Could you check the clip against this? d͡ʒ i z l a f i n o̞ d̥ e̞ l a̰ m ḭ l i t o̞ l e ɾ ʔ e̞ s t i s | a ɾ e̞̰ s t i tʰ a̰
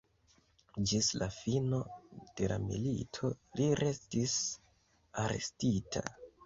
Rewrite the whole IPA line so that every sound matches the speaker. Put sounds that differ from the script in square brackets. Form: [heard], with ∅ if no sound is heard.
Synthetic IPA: d͡ʒ i [s] l a f i n o̞ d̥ e̞ l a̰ m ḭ l i [tʰ] o̞ l [i] ɾ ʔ e̞ s t i s | a ɾ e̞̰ s t i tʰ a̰